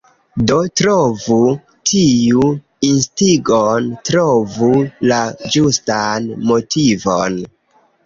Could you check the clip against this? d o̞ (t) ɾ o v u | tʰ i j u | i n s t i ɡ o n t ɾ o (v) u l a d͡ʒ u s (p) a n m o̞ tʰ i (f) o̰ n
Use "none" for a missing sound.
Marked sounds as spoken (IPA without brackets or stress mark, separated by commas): t, v, t, v